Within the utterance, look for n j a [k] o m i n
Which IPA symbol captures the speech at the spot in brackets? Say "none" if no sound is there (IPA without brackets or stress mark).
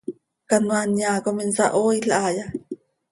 k